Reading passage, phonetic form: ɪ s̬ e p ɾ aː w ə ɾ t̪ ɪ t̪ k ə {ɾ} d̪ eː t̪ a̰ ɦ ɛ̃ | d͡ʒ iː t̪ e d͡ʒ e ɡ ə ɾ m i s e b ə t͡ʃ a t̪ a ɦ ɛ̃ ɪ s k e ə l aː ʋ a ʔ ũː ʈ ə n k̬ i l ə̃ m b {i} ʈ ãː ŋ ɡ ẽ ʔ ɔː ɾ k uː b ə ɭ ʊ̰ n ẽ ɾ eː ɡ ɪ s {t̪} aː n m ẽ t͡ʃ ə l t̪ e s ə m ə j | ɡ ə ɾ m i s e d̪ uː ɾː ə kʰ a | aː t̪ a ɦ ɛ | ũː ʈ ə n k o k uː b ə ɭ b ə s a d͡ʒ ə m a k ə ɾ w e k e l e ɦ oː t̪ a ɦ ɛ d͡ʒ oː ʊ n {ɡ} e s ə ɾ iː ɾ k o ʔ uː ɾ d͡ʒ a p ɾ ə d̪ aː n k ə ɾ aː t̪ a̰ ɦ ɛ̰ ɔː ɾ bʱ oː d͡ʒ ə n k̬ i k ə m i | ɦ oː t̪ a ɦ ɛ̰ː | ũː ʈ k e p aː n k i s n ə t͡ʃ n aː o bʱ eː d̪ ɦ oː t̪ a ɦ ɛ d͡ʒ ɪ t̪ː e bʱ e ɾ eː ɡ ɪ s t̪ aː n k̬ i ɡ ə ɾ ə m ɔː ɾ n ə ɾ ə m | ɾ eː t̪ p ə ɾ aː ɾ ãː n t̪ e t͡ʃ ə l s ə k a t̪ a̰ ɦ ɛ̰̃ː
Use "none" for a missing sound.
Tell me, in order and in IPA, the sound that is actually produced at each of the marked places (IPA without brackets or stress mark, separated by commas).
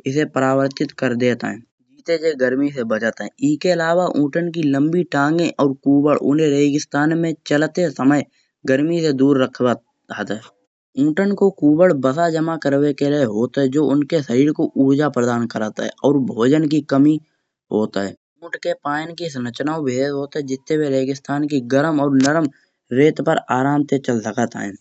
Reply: ɾ, i, t̪, k